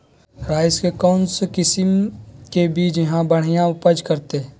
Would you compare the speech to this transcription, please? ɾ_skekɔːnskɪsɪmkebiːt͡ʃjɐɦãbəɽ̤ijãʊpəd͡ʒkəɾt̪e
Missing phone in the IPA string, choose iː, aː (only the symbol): aː